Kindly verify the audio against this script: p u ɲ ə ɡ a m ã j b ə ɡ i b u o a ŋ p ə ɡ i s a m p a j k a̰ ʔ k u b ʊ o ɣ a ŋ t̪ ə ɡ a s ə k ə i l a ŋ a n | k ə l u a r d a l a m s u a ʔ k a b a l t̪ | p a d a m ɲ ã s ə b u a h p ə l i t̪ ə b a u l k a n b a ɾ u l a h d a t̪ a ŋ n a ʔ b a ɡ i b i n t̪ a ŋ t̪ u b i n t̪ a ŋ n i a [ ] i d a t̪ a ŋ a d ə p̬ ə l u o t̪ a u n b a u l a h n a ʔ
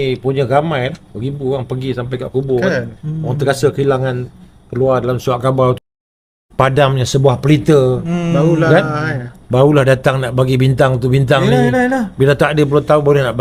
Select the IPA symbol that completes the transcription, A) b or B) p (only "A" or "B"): A